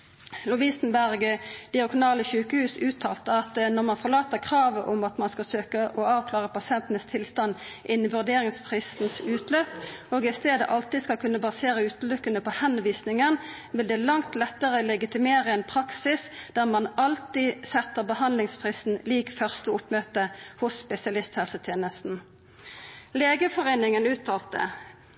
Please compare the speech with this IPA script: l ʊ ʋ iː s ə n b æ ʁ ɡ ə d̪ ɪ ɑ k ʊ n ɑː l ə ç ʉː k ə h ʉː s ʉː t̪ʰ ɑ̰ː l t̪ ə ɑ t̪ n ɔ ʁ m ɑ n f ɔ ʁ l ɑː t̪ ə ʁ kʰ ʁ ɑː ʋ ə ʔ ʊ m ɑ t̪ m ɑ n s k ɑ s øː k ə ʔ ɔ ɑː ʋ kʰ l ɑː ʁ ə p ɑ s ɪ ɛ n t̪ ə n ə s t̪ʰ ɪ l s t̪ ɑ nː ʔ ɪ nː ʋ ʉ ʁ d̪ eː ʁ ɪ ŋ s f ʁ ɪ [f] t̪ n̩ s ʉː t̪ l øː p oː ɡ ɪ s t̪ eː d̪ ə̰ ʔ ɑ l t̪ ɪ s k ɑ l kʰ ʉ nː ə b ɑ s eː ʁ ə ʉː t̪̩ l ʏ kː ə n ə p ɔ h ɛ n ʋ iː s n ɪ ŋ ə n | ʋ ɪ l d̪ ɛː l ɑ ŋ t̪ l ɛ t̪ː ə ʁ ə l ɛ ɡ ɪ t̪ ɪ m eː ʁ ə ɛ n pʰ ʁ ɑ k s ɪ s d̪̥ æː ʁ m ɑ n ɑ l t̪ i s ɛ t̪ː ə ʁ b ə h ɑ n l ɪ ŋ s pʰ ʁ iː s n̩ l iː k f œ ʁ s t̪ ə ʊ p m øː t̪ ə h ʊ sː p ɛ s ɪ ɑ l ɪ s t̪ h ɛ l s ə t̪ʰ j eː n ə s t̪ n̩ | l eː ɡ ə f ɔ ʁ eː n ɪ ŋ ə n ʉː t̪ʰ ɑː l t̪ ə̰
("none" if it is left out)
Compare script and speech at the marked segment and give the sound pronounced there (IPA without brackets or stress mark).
s